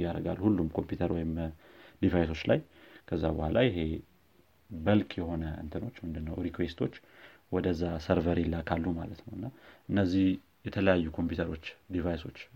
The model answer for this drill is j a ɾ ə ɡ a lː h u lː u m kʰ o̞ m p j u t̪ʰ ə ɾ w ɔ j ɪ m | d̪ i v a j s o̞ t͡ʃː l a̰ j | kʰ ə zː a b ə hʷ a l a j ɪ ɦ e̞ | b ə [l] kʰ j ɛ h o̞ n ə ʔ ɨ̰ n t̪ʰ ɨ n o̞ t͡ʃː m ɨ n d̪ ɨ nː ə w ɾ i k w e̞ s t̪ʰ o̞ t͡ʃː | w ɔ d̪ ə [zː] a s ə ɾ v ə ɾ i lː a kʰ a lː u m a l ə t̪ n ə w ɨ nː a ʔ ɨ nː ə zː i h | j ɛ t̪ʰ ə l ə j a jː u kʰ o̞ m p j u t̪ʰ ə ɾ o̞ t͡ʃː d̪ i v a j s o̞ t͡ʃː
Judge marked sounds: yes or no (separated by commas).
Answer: yes, yes